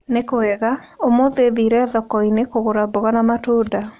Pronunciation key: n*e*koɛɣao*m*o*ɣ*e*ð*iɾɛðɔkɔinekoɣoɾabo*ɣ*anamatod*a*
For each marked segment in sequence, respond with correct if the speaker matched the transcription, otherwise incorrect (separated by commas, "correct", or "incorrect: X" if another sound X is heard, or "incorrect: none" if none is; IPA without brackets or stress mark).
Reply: correct, correct, incorrect: ð, correct, correct, correct